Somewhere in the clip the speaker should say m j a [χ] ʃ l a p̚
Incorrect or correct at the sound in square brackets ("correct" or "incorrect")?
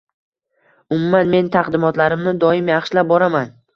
correct